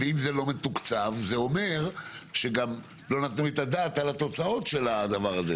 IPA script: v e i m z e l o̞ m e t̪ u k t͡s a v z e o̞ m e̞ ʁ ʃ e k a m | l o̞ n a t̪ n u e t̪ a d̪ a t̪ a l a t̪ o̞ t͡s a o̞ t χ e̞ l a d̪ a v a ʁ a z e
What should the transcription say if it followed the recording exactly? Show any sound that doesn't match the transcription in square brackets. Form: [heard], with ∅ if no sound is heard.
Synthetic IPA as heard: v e i m z e l o̞ m e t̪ u k t͡s a v z e o̞ m e̞ ʁ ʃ e [ɡ] a m | l o̞ n a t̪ n u e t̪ a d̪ a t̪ a l a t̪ o̞ t͡s a o̞ t [ʃ] e̞ l a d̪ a v a ʁ a z e